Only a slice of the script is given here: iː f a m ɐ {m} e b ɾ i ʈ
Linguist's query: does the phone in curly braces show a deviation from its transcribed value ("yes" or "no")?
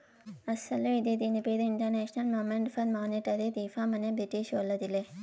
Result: yes